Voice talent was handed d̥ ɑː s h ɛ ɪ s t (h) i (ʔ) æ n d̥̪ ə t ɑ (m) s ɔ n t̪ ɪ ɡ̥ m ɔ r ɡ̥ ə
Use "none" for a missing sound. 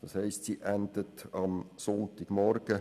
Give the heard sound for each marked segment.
s, ʔ, m

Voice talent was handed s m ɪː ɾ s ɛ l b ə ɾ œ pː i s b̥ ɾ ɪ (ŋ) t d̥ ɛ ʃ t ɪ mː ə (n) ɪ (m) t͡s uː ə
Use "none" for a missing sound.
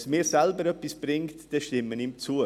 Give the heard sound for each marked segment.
ŋ, n, m

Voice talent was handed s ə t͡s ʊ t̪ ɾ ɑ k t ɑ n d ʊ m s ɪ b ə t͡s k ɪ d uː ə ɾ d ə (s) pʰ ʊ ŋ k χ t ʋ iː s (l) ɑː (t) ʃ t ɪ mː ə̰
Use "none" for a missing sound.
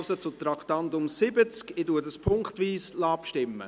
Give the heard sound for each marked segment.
s, l, p

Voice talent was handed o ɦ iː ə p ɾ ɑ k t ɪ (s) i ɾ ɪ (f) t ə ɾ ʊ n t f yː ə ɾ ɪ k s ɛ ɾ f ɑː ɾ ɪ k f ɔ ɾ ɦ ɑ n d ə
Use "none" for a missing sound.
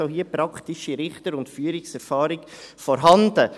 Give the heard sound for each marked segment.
ʃ, χ

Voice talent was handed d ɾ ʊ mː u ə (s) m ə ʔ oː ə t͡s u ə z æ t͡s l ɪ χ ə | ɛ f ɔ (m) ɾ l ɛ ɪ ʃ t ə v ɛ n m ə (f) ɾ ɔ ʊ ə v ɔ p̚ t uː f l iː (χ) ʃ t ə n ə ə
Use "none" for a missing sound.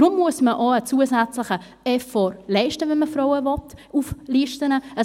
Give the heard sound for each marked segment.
s, none, f, none

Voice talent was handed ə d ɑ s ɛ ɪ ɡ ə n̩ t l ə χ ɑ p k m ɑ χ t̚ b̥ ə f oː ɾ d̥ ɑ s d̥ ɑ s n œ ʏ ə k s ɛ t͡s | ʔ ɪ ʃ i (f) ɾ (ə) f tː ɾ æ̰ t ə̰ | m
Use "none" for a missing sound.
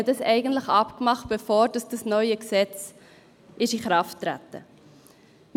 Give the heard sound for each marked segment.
χ, ɑ

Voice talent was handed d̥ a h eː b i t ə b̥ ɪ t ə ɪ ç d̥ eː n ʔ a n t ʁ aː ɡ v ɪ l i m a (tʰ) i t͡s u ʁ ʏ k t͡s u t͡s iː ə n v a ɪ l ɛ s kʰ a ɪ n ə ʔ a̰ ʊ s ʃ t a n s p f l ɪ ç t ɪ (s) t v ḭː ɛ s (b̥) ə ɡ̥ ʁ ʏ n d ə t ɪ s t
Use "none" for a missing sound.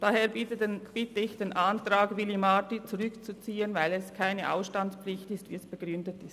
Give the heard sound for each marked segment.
t, s, b̥

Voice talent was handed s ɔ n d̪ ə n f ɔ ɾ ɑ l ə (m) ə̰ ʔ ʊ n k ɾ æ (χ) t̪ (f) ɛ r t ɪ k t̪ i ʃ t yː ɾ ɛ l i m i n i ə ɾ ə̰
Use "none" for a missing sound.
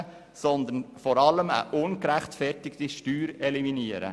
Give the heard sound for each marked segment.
m, χ, f

